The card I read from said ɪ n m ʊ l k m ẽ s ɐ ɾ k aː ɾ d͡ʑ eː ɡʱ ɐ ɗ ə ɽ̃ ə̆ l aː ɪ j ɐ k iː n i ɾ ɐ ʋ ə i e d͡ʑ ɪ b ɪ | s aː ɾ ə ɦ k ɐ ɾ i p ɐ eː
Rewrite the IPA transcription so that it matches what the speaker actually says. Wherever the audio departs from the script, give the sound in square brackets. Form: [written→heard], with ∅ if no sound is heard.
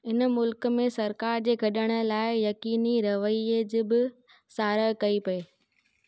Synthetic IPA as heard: ɪ n m ʊ l k m ẽ s ɐ ɾ k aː ɾ d͡ʑ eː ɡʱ ɐ ɗ ə ɽ̃ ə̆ l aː ɪ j ɐ k iː n i ɾ ɐ ʋ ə i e d͡ʑ ɪ b ɪ | s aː ɾ ə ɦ k ɐ [ɾ→∅] i p ɐ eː

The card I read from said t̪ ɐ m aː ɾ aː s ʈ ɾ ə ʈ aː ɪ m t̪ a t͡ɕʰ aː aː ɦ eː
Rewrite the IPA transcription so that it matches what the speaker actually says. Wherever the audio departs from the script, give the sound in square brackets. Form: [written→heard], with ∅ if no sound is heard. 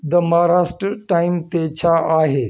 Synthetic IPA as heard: [t̪→d̪] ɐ m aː ɾ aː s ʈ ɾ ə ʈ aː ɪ m t̪ [a→e] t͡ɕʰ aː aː ɦ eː

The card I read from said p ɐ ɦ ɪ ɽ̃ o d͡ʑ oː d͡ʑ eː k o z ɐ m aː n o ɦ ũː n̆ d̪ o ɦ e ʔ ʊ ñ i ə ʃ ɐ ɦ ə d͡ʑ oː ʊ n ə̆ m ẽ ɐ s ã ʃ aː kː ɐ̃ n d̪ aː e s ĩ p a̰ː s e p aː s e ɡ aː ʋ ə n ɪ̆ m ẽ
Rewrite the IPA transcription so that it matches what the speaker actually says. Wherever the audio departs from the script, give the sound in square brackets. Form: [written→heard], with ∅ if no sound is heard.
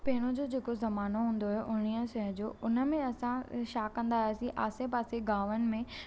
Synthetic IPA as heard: p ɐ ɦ ɪ ɽ̃ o d͡ʑ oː d͡ʑ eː k o z ɐ m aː n o ɦ ũː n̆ d̪ o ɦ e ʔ ʊ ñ i ə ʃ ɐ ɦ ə d͡ʑ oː ʊ n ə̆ m ẽ ɐ s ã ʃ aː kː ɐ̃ n d̪ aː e s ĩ [p→ʔ] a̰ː s e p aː s e ɡ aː ʋ ə n ɪ̆ m ẽ

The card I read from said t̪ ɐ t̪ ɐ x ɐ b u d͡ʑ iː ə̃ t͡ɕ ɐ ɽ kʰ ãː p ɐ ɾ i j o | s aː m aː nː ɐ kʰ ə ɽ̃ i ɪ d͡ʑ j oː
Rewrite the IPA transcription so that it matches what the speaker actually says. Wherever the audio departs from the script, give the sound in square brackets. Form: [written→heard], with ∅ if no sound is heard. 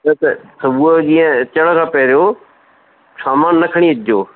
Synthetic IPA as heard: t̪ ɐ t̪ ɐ [x→s] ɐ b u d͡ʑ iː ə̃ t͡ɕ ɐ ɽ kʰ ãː p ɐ ɾ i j o | s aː m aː nː ɐ kʰ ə ɽ̃ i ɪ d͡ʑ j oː

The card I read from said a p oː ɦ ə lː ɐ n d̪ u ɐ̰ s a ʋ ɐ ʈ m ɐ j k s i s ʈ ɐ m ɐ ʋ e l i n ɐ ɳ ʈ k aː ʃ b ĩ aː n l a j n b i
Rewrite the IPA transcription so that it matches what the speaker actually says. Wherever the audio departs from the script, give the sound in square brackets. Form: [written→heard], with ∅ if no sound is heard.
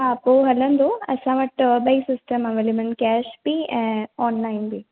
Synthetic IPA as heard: a p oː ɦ [ə→ɐ] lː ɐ n d̪ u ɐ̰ s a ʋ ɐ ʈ [m→b] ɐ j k s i s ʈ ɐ m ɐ ʋ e l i [n→m] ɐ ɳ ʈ k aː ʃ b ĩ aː n l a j n b i

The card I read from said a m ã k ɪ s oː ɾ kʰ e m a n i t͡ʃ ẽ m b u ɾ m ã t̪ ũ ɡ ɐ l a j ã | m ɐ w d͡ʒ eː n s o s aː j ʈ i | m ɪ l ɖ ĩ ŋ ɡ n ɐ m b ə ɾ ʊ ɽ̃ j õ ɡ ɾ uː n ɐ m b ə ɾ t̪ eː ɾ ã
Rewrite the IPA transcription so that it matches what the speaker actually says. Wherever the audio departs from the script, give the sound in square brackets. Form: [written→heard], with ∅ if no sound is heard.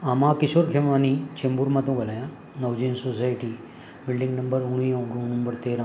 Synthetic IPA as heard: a m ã k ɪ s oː ɾ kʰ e m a n i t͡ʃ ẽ m b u ɾ m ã t̪ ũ ɡ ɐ l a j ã | [m→n] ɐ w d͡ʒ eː n s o s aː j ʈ i | [m→b] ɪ l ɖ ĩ ŋ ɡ n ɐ m b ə ɾ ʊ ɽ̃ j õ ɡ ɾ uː n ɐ m b ə ɾ t̪ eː ɾ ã

